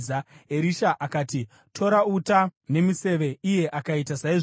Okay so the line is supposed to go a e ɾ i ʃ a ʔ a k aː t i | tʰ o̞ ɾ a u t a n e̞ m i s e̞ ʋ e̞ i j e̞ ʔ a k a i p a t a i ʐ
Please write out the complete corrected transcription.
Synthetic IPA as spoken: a e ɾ i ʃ a ʔ a k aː t i | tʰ o̞ ɾ a u t a n e̞ m i s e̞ ʋ e̞ i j e̞ ʔ a k a i t a s a i ʐ